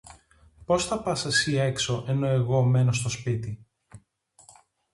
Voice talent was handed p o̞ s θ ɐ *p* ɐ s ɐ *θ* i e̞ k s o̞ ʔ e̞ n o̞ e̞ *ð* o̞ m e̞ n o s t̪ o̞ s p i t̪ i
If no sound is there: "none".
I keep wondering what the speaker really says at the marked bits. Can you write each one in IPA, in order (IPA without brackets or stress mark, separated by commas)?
p, s, ɣ